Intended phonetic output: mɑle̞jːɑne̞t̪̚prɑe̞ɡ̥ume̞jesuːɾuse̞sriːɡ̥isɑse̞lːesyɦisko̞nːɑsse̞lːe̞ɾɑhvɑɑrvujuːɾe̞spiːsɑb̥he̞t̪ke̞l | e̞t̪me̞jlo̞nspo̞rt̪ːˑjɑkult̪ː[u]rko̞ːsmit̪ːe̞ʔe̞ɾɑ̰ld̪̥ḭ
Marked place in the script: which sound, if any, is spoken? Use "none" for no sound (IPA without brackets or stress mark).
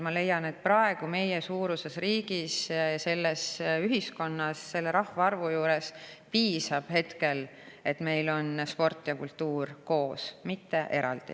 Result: uː